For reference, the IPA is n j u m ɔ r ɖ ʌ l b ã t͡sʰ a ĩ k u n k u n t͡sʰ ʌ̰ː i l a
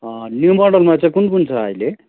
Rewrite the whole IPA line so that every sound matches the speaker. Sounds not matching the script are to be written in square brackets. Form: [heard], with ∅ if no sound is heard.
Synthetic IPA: n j u m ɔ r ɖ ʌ l [m] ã [t͡s] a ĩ k u n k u n t͡sʰ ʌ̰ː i l [e]